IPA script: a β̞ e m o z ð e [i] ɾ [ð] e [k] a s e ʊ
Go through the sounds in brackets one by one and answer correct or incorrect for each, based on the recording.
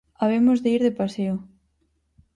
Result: correct, correct, incorrect: p

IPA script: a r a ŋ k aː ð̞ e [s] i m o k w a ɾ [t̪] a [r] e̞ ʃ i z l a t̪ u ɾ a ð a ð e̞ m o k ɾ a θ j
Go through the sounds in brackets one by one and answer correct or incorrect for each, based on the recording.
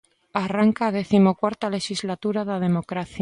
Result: incorrect: θ, correct, incorrect: l

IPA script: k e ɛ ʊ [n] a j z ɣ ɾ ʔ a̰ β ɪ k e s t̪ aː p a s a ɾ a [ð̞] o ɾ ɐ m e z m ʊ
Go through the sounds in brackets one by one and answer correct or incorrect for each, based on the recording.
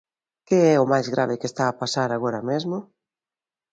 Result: incorrect: m, incorrect: ɣ̞

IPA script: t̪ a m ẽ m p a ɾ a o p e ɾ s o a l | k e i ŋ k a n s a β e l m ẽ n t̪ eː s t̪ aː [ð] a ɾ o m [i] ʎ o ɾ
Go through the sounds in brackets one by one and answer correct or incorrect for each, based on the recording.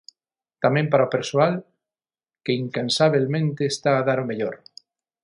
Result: correct, incorrect: e

